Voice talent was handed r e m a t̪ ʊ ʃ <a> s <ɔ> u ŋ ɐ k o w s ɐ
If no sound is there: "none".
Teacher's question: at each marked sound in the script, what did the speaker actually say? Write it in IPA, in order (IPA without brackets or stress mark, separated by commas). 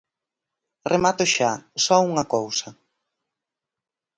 a, ɔ